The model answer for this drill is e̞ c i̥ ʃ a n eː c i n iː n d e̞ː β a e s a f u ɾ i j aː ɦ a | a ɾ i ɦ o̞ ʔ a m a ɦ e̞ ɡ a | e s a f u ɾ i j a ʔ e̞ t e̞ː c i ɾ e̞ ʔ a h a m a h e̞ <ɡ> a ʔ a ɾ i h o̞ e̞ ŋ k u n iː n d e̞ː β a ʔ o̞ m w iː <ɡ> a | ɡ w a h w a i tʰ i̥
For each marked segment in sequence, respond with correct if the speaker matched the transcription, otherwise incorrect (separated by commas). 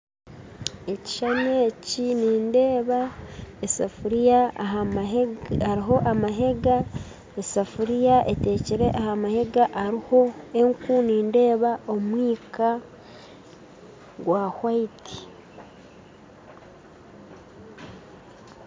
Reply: correct, incorrect